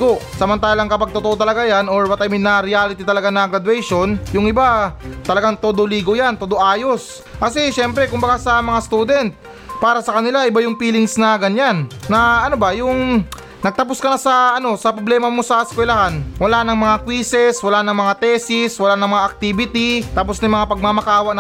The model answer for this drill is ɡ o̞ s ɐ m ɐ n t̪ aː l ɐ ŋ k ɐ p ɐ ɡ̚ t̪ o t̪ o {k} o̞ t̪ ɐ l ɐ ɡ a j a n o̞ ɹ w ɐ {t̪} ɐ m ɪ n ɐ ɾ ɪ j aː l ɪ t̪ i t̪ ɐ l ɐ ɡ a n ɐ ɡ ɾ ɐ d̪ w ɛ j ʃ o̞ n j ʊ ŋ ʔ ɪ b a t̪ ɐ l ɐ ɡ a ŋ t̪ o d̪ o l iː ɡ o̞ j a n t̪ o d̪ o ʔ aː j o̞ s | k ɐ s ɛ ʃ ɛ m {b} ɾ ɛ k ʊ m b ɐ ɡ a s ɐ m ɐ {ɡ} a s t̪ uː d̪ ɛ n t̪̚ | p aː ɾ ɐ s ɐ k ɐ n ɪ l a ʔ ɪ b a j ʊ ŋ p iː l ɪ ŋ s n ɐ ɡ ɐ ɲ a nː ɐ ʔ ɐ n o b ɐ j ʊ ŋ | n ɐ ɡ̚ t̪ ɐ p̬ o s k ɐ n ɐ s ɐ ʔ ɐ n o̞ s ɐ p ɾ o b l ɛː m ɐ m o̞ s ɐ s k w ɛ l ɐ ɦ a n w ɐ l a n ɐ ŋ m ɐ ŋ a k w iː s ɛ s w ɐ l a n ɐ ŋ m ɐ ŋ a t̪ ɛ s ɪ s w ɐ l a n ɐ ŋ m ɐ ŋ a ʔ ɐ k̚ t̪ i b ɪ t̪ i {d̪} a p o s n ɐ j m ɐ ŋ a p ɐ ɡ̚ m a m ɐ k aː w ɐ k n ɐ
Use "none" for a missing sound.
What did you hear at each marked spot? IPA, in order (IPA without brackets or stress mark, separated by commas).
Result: ʔ, t̪, p, ŋ, t̪